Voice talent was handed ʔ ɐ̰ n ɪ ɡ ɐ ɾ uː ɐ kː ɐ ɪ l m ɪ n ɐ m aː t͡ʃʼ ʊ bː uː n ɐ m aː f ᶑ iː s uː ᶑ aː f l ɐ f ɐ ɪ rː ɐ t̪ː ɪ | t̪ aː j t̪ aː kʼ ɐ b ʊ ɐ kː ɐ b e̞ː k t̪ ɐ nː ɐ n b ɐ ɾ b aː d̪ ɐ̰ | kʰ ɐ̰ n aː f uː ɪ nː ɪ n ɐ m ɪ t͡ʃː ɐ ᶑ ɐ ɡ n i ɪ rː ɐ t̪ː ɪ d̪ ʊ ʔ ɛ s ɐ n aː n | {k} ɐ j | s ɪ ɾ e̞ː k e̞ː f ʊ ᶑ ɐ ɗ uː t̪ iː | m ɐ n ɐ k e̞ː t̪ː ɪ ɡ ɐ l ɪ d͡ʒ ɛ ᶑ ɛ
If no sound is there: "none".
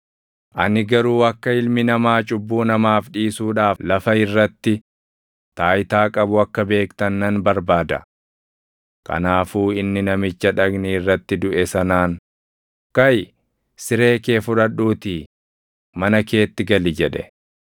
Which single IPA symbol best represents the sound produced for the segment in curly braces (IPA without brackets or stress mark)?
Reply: k